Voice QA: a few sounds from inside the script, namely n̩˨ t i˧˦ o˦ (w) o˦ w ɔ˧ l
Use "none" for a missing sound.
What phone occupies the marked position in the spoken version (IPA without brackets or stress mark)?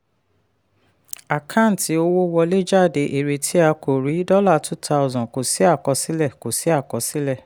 w